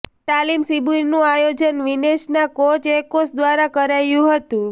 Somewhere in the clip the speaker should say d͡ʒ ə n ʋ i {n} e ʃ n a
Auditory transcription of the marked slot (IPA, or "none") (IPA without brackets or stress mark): n